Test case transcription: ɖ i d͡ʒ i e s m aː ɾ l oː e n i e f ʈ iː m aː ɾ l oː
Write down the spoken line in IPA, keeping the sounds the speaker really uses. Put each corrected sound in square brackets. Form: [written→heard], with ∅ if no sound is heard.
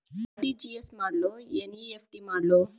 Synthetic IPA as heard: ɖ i d͡ʒ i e s m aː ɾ l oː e n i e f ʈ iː m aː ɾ l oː